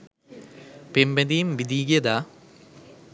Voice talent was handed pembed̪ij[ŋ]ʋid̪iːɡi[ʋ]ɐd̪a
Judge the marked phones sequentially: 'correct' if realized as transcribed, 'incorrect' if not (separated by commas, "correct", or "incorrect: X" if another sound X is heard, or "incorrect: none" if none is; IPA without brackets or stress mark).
incorrect: m, incorrect: none